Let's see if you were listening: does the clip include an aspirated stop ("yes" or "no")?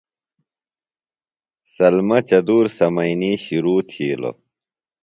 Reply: yes